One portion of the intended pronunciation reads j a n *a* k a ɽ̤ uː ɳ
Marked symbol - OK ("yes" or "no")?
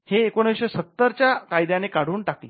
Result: no